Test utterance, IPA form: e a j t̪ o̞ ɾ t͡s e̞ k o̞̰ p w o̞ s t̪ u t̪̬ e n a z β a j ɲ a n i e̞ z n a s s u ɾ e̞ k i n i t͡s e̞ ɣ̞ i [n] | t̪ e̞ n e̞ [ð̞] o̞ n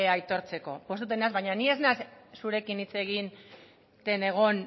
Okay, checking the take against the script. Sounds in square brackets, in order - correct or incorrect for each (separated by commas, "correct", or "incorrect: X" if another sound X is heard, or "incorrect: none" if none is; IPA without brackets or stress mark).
correct, incorrect: ɣ̞